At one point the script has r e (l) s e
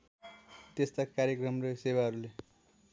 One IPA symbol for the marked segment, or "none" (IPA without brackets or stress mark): none